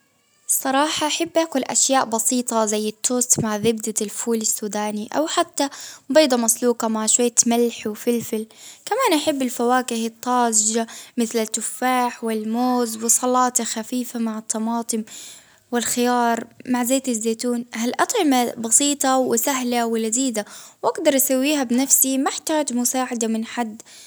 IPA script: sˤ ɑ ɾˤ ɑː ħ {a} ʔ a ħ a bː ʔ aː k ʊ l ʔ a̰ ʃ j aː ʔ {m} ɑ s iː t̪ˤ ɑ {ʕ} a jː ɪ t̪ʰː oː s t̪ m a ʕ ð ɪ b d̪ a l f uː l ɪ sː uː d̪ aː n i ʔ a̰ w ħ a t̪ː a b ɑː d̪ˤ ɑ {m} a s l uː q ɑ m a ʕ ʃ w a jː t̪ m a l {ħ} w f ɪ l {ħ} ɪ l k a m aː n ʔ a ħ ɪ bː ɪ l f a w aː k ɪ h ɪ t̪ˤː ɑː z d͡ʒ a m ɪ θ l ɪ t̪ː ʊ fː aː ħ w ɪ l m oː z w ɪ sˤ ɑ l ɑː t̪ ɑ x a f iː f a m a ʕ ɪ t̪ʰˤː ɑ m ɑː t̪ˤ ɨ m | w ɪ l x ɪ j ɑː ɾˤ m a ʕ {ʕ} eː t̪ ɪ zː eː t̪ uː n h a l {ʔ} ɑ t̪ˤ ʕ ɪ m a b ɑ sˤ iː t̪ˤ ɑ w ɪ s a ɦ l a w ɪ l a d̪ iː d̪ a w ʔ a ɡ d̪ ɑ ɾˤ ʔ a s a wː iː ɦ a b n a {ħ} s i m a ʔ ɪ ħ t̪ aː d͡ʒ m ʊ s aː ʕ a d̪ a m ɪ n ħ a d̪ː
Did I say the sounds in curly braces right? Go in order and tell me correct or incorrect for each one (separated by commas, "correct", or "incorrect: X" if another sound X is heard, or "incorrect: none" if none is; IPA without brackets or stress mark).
incorrect: ɑ, incorrect: b, incorrect: z, correct, correct, incorrect: f, incorrect: z, correct, incorrect: f